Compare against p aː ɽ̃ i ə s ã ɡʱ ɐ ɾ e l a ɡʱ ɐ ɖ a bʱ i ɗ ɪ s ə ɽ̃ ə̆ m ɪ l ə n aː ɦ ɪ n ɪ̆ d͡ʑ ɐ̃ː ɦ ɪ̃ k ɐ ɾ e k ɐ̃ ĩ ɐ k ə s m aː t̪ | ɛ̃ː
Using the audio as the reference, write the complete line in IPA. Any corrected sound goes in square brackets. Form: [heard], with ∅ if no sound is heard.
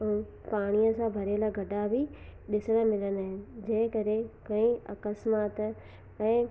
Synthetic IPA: p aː ɽ̃ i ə s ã [bʱ] ɐ ɾ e l a ɡʱ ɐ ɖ a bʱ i ɗ ɪ s ə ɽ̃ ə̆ m ɪ l ə n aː ɦ ɪ n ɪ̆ d͡ʑ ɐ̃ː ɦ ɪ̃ k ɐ ɾ e k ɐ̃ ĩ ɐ k ə s m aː t̪ | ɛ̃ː

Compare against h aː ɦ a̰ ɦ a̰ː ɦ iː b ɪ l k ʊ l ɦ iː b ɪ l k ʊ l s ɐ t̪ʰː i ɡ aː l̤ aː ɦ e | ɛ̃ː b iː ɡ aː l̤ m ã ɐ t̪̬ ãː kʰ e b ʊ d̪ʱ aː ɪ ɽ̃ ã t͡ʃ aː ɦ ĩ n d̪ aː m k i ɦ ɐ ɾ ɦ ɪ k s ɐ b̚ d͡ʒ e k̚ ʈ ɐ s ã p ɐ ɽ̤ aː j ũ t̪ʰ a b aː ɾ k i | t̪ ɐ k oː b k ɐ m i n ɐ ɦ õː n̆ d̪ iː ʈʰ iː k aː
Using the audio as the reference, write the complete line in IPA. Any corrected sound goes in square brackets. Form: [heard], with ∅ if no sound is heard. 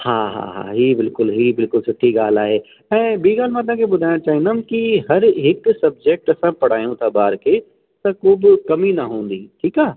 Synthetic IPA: h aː ɦ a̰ ɦ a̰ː ɦ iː b ɪ l k ʊ l ɦ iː b ɪ l k ʊ l s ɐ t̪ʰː i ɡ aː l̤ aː ɦ e | ɛ̃ː b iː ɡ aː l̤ m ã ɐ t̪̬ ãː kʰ e b ʊ d̪ʱ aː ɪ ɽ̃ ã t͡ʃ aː ɦ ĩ n d̪ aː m k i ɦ ɐ ɾ ɦ ɪ k s ɐ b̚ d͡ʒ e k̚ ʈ ɐ s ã p ɐ ɽ̤ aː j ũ t̪ʰ a b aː ɾ k [e] | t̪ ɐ k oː b k ɐ m i n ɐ ɦ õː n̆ d̪ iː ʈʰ iː k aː

